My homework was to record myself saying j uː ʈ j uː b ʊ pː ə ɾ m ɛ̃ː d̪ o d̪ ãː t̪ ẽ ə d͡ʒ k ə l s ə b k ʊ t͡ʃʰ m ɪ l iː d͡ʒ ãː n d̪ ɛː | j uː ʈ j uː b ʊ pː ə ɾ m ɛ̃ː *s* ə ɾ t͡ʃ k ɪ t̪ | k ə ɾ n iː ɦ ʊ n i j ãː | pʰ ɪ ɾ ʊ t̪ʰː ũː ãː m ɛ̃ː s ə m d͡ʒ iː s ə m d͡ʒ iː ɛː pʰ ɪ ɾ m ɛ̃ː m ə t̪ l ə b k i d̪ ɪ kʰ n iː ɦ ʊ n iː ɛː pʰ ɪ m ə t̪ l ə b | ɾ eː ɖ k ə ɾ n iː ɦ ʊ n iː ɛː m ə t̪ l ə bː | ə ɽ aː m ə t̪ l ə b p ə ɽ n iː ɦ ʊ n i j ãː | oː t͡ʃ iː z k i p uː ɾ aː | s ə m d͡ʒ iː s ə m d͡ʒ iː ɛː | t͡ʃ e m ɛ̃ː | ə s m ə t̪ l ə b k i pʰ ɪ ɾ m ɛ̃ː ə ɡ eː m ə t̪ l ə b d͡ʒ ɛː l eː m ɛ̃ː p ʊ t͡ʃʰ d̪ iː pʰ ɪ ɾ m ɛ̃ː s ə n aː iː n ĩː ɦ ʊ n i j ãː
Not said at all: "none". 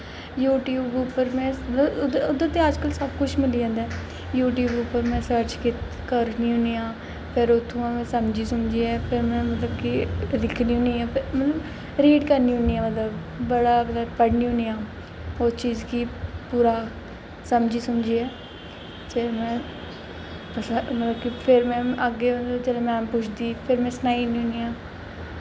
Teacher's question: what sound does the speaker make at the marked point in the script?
s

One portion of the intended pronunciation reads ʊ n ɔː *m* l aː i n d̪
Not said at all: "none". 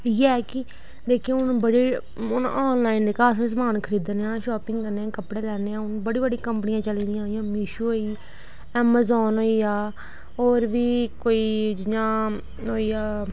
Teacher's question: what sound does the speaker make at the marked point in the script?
n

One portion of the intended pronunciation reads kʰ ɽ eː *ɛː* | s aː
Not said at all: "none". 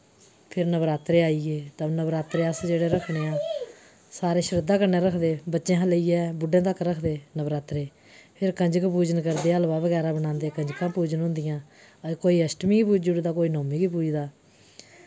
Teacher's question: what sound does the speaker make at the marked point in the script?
aː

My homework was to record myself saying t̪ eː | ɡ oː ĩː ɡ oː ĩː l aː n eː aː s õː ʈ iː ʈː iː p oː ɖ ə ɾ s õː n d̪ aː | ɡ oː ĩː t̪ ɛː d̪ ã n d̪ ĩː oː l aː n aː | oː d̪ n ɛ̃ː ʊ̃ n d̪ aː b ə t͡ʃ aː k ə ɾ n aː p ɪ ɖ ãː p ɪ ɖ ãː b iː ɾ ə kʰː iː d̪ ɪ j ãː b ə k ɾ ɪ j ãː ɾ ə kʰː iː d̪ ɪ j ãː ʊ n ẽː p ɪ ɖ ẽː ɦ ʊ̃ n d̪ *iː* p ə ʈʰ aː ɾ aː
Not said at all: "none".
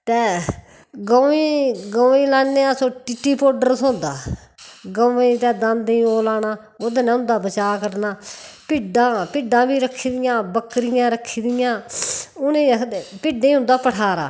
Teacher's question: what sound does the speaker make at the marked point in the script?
aː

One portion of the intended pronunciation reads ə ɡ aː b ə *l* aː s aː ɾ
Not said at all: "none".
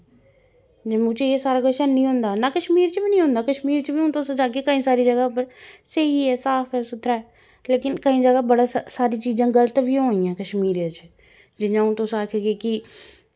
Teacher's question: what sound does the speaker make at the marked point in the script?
ɽ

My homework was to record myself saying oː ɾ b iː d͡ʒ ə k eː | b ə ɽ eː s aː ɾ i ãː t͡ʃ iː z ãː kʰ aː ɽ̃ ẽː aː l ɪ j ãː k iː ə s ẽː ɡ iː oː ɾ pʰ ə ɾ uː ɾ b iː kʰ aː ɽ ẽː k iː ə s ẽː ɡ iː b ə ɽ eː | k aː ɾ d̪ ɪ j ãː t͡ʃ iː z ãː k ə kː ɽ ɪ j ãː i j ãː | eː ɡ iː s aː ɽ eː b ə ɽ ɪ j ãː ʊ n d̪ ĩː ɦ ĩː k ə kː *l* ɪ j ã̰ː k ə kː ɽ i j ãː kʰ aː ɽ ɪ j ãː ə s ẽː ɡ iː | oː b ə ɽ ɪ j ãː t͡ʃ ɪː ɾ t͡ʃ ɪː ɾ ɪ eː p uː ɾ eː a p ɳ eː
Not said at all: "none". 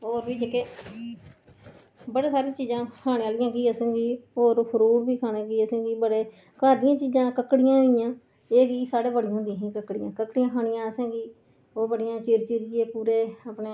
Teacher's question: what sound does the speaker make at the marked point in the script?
ɽ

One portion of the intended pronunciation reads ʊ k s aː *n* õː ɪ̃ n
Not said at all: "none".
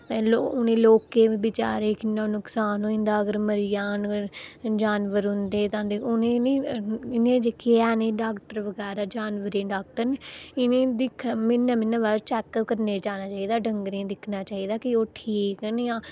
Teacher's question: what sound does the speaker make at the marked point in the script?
n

